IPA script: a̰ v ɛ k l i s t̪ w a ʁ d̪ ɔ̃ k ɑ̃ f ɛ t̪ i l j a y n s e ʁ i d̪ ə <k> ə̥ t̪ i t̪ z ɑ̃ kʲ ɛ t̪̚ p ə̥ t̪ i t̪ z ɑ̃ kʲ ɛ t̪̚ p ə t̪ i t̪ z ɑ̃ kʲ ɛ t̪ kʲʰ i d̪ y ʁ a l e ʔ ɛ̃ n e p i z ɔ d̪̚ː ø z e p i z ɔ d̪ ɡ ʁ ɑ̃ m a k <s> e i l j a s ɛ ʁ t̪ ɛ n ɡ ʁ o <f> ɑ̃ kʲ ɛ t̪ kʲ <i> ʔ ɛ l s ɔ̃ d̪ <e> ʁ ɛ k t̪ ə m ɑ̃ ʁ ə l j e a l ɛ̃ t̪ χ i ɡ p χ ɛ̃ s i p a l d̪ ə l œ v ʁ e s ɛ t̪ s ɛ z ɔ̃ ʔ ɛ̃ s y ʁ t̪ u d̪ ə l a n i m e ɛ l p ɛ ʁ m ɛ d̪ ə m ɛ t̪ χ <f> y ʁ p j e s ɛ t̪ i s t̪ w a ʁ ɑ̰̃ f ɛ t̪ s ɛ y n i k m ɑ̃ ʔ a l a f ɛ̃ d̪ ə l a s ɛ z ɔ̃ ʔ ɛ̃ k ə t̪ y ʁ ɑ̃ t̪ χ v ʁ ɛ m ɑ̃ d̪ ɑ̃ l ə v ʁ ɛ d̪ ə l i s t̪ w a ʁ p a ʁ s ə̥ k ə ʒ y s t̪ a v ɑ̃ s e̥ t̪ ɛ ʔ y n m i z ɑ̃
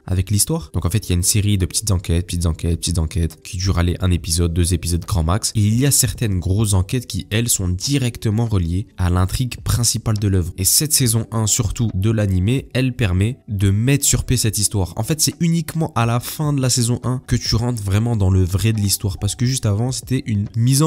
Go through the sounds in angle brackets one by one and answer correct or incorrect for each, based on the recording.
incorrect: p, correct, incorrect: s, correct, incorrect: i, incorrect: s

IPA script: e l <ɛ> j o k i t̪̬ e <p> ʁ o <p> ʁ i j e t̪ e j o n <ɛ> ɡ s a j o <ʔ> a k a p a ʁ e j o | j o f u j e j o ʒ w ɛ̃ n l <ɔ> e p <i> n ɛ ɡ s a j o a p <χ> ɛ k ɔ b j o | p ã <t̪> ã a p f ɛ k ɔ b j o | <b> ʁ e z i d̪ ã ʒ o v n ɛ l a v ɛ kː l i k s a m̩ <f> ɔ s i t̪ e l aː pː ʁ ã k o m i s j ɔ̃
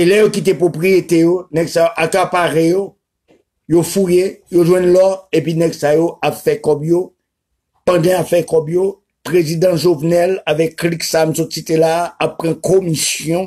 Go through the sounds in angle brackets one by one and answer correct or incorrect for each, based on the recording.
correct, correct, correct, correct, correct, correct, correct, incorrect: f, incorrect: d̪, incorrect: p, incorrect: s

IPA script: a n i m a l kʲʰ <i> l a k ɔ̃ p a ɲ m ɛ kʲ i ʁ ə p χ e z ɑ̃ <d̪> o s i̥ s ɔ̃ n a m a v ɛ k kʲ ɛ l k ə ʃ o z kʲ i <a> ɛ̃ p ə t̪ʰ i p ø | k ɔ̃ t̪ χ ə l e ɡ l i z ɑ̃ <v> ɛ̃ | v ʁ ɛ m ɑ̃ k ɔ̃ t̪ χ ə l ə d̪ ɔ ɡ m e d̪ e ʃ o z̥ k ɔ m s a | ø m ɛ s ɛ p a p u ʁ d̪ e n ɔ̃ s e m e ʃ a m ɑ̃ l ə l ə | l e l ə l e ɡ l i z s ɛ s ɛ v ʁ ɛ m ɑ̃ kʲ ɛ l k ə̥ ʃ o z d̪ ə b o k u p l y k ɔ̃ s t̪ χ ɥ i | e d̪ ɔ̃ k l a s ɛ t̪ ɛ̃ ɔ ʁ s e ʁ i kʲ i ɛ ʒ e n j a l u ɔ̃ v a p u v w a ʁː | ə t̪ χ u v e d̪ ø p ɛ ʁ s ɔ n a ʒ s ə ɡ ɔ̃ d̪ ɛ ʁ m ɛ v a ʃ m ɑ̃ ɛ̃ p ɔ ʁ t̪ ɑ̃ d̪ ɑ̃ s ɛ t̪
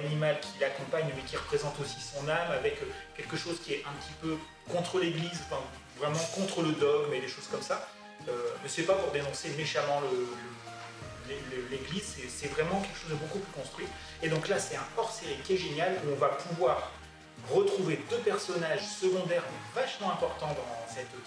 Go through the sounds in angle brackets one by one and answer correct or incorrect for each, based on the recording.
correct, incorrect: t̪, incorrect: ɛ, incorrect: f

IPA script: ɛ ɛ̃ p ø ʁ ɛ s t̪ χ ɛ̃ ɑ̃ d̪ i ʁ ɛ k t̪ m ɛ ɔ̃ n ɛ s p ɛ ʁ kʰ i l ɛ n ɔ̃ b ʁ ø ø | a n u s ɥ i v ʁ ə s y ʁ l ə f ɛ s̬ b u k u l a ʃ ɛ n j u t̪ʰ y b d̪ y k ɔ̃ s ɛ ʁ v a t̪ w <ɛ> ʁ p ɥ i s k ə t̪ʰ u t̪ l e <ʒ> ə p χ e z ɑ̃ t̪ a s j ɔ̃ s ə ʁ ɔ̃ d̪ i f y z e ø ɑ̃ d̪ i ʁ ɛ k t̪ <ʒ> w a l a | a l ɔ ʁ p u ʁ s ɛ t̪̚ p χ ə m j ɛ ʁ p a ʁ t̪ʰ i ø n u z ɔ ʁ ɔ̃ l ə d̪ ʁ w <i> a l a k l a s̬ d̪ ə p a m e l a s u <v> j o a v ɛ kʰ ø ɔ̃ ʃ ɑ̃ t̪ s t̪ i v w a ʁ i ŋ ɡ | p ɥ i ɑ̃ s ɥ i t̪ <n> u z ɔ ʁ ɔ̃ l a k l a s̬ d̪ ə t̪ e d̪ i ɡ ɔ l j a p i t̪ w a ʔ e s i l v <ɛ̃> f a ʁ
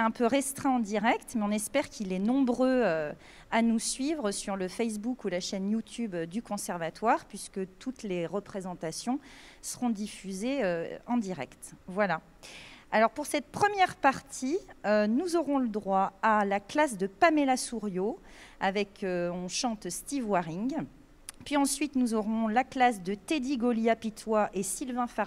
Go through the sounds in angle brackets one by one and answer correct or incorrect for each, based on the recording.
incorrect: a, incorrect: ʁ, incorrect: v, incorrect: a, incorrect: ʁ, correct, correct

